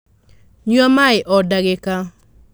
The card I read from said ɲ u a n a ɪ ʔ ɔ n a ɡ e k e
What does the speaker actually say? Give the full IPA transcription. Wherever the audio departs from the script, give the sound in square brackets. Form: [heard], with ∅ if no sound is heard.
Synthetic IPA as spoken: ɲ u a [m] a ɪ ʔ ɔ [d] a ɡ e k [a]